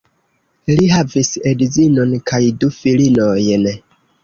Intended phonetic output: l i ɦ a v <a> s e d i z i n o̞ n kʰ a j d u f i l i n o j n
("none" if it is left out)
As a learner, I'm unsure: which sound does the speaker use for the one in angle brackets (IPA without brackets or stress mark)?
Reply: i